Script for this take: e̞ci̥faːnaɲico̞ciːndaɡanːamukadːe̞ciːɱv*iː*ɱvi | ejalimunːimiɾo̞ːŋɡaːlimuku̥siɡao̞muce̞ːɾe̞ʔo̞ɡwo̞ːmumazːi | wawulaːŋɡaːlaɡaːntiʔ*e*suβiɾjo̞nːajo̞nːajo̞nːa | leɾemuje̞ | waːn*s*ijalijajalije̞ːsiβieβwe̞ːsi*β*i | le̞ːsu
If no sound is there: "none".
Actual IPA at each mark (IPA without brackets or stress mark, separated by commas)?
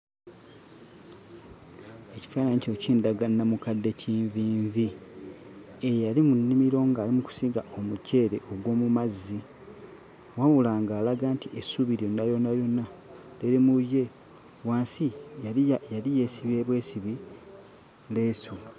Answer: iː, e, s, β